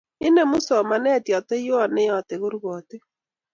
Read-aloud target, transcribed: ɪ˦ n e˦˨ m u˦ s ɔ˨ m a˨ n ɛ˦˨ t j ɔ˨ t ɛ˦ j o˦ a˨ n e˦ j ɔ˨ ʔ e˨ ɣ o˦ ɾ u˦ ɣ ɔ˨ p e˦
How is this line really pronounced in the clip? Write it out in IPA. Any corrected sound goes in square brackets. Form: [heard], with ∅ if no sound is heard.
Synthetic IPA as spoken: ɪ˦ n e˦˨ m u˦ s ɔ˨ m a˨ n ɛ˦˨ t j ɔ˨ t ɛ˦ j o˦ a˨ n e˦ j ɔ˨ [t] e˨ ɣ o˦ ɾ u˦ ɣ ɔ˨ [t] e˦